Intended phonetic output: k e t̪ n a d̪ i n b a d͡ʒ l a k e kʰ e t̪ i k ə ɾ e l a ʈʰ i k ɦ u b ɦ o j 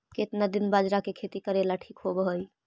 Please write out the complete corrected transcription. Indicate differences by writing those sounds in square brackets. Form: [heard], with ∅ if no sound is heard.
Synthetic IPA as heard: k e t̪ n a d̪ i n b a d͡ʒ [ɾ] a k e kʰ e t̪ i k ə ɾ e l a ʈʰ i k ɦ [o] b ɦ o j

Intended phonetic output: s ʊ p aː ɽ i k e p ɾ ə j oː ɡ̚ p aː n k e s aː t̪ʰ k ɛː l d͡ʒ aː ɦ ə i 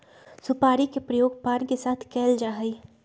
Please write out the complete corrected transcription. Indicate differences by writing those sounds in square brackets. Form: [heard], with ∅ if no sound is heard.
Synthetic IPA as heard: s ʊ p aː [ɾ] i k e p ɾ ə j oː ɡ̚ p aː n k e s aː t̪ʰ k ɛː l d͡ʒ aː ɦ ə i

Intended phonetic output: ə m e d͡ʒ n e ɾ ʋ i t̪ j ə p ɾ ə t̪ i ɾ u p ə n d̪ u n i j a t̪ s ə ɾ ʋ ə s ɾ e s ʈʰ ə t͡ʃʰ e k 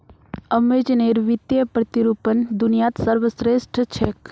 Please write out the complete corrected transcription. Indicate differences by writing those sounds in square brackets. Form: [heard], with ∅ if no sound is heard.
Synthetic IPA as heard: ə m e d͡ʒ n e ɾ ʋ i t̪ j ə p ɾ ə t̪ i ɾ u p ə n d̪ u n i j a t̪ s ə ɾ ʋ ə s ɾ e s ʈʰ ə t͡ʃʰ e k

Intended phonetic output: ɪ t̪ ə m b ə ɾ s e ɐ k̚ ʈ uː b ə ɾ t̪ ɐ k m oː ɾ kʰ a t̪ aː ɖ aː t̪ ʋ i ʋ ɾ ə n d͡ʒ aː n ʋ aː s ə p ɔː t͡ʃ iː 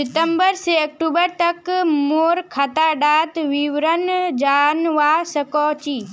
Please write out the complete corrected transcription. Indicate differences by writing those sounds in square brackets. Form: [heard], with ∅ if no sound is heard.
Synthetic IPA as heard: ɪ t̪ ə m b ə ɾ s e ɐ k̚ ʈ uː b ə ɾ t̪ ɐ k m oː ɾ kʰ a t̪ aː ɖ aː t̪ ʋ i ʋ ɾ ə n d͡ʒ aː n ʋ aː s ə [k] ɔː t͡ʃ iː

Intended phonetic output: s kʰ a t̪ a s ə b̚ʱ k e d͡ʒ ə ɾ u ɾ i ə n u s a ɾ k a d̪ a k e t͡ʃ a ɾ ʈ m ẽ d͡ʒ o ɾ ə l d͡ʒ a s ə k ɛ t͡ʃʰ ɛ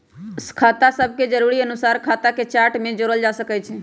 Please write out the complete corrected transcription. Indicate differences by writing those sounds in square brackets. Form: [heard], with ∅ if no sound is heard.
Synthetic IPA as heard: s kʰ a t̪ a s ə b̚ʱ k e d͡ʒ ə ɾ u ɾ i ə n u s a ɾ [kʰ] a [t̪] a k e t͡ʃ a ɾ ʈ m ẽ d͡ʒ o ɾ ə l d͡ʒ a s ə k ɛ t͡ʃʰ ɛ

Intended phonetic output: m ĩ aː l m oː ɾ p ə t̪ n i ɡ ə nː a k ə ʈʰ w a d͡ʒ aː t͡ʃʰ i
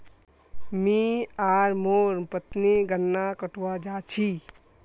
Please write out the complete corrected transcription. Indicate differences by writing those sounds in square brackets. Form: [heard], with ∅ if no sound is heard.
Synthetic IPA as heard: m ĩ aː [ɾ] m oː ɾ p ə t̪ n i ɡ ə nː a k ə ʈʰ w a d͡ʒ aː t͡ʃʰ i

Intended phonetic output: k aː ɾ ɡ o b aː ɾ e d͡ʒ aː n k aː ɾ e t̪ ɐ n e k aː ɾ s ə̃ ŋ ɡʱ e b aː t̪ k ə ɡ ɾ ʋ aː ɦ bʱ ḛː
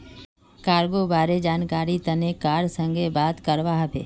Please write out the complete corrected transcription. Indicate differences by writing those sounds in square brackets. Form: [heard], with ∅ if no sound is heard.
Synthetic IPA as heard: k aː ɾ ɡ o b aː ɾ e d͡ʒ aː n k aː ɾ [i] t̪ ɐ n e k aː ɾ s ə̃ ŋ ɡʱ e b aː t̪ k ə [∅] ɾ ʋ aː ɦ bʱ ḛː

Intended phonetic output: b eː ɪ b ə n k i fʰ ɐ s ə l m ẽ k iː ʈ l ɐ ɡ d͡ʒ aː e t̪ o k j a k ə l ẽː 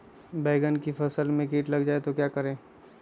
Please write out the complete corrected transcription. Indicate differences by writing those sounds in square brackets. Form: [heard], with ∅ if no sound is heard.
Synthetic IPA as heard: b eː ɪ [ɡ] ə n k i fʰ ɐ s ə l m ẽ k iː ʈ l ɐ ɡ d͡ʒ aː e t̪ o k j a k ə [ɾ] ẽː

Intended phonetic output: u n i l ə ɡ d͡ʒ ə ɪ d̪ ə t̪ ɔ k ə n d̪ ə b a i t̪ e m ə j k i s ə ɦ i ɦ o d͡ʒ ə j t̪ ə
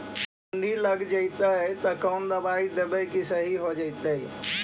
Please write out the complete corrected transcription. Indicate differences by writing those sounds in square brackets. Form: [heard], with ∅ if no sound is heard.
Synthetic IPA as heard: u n i l ə ɡ d͡ʒ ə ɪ [t̪] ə t̪ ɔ k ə n d̪ ə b a i [d̪] e [b] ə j k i s ə ɦ i ɦ o d͡ʒ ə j t̪ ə

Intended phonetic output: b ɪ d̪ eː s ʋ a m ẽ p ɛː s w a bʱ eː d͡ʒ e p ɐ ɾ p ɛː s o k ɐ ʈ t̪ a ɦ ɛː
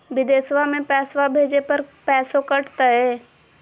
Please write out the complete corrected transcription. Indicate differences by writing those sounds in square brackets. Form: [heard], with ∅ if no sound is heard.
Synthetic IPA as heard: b ɪ d̪ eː s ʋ a m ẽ p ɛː s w a bʱ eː d͡ʒ e p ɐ ɾ p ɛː s o k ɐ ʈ t̪ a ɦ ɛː

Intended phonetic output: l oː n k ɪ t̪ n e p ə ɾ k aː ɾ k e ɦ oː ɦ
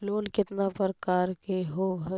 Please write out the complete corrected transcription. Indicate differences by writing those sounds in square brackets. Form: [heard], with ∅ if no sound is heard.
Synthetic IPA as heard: l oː n k ɪ t̪ n [a] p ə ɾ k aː ɾ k e ɦ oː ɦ

